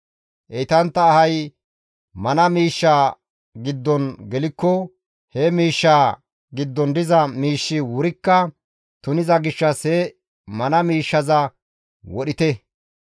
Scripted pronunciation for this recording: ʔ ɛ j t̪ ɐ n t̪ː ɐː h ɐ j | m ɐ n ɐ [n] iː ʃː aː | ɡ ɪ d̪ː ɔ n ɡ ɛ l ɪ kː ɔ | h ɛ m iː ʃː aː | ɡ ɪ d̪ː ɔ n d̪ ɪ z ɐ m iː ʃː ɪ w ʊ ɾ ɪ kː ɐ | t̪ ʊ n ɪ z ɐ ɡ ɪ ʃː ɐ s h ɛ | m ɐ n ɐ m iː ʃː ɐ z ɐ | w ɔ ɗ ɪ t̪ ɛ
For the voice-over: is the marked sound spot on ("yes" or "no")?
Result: no